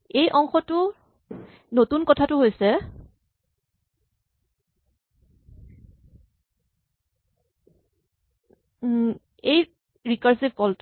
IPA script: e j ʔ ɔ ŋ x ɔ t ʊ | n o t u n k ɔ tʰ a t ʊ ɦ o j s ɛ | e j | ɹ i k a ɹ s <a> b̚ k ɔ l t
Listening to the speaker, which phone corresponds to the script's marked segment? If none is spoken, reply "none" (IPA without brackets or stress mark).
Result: i